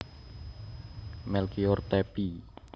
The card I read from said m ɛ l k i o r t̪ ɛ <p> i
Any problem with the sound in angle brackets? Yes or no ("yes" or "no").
no